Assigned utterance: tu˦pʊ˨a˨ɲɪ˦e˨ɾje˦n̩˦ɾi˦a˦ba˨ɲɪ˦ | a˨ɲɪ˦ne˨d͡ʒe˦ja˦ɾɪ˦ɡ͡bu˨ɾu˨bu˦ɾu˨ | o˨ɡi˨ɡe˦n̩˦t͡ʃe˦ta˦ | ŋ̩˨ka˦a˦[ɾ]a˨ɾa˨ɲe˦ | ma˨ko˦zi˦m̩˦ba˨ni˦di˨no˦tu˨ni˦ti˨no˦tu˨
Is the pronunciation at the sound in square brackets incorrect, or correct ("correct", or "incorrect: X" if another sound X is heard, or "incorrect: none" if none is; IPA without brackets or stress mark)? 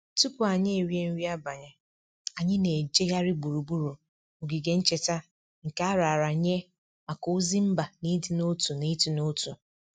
correct